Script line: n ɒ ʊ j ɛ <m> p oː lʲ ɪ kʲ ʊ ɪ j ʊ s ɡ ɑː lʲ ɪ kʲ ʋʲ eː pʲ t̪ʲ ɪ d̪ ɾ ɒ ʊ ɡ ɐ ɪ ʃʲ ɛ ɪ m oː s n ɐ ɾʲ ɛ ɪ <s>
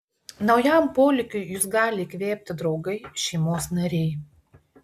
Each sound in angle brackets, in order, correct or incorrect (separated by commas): correct, incorrect